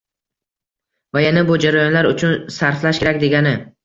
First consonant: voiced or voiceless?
voiced